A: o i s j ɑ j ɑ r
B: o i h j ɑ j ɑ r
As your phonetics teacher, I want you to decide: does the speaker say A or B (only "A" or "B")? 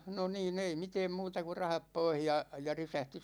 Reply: B